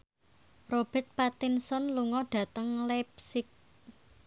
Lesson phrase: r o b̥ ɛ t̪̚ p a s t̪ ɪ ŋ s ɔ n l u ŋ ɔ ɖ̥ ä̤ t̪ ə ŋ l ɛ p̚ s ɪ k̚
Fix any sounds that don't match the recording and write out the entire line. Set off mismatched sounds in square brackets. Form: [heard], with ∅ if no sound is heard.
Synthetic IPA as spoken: r o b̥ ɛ t̪̚ p a [∅] t̪ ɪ [n] s ɔ n l u ŋ ɔ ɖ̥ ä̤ t̪ ə ŋ l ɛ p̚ s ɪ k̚